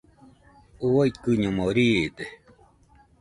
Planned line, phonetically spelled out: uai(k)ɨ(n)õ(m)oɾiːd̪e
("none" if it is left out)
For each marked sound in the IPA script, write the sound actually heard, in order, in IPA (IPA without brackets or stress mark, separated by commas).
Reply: k, ɲ, m